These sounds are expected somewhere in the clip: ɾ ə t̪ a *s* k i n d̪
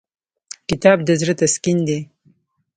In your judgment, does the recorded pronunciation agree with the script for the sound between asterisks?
yes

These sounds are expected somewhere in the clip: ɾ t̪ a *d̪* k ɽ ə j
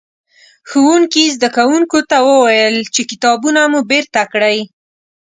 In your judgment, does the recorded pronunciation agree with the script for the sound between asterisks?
no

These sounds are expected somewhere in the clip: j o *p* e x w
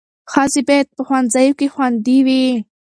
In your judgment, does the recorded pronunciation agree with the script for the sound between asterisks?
no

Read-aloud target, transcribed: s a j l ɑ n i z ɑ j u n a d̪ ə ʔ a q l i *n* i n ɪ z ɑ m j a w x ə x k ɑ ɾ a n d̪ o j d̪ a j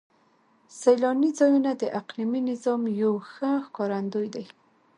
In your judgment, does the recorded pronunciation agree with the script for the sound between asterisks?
no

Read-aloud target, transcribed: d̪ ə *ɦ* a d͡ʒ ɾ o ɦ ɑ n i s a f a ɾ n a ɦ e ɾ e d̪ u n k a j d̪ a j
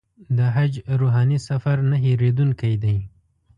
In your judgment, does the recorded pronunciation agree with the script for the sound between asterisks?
yes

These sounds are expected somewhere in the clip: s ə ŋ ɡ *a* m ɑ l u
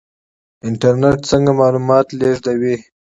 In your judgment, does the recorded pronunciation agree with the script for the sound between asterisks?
yes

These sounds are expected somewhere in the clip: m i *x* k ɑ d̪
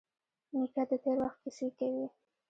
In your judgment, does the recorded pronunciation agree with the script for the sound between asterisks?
no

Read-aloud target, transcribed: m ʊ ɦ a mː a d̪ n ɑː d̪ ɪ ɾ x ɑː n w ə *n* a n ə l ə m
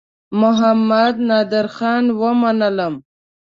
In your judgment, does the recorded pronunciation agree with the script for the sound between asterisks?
no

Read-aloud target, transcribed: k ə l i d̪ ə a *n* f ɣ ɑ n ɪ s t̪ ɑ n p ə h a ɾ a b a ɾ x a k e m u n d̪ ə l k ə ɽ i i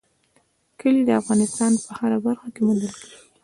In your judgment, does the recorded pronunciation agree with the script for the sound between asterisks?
no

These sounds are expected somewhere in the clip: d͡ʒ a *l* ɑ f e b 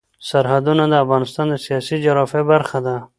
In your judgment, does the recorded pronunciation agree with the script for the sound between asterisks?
no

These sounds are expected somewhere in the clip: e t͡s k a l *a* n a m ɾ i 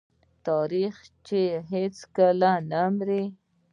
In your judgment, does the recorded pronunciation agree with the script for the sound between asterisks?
yes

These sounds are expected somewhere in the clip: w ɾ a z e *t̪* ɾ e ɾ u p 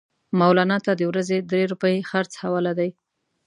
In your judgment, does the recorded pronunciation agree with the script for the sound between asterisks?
no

